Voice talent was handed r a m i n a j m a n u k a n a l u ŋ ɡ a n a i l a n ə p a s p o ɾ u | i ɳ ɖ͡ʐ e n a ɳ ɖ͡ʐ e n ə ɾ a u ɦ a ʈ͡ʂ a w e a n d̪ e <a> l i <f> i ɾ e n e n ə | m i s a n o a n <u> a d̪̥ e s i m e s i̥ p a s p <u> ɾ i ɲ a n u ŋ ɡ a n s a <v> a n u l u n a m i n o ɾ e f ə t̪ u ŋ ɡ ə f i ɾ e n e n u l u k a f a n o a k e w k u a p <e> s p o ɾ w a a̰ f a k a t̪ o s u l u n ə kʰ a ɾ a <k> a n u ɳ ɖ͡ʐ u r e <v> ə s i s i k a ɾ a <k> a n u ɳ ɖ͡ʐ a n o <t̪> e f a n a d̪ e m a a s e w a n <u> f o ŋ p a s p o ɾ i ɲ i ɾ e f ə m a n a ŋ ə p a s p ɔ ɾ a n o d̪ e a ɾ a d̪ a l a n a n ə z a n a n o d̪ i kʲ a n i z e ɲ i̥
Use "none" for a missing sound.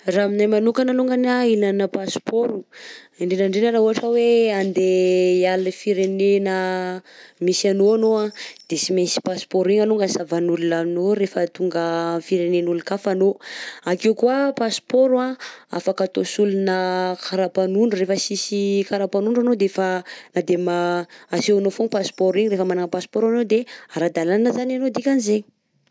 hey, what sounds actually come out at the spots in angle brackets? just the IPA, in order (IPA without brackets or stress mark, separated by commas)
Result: a, f, o, o, v, a, p, f, p, d̪, o